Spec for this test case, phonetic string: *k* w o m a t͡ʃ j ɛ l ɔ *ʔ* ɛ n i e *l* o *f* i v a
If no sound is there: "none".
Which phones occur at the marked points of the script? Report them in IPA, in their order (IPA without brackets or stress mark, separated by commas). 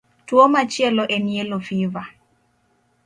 t, ʔ, l, f